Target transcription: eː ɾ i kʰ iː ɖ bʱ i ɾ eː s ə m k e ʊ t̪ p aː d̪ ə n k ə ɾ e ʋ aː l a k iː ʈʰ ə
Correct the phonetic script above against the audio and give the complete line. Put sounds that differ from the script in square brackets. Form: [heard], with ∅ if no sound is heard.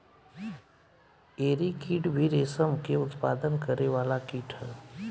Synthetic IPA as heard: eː ɾ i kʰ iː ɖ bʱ i ɾ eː s ə m k e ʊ t̪ p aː d̪ ə n k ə ɾ e ʋ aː l a k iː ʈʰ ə